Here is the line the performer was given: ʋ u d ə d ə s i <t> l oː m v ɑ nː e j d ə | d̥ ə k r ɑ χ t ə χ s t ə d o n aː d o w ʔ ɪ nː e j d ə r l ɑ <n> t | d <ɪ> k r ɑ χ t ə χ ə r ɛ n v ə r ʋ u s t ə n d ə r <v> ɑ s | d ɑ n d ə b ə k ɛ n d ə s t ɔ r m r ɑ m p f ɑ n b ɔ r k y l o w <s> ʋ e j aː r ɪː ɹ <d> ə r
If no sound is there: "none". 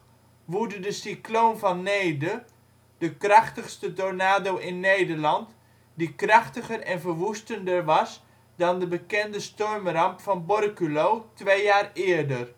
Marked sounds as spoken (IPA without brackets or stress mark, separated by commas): k, n, i, ʋ, t, d